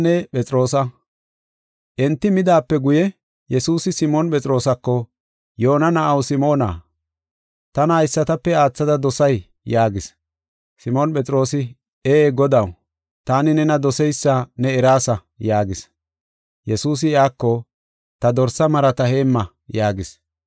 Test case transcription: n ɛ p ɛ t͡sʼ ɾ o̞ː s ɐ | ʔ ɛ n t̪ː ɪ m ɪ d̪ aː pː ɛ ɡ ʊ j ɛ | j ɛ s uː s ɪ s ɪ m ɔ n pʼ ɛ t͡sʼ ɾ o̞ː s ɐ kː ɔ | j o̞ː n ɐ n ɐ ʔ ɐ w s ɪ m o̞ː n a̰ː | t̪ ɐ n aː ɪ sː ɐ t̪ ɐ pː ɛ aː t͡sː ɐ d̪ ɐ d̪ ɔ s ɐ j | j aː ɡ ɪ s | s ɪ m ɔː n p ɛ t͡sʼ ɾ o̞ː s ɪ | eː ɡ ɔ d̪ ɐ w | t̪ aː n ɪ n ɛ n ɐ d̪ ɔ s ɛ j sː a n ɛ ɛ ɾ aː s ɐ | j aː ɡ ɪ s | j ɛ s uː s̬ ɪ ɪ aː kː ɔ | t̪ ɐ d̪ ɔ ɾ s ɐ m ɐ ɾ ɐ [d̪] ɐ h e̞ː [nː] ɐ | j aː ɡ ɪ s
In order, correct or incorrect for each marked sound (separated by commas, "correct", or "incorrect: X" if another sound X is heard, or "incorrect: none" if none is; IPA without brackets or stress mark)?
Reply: incorrect: t̪, incorrect: mː